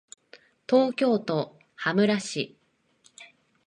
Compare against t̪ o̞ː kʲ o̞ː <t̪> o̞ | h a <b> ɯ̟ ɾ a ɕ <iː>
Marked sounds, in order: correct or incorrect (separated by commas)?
correct, incorrect, incorrect